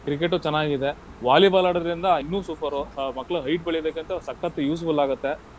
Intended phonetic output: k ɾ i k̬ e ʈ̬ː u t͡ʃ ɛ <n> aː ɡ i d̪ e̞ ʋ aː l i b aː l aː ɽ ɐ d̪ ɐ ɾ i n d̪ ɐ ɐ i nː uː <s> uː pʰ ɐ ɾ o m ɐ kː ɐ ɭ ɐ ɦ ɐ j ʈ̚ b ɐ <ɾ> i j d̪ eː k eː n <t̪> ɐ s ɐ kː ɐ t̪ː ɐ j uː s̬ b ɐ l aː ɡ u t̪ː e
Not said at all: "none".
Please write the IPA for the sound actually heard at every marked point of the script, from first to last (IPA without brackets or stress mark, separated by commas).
nː, s, ɭ, t̪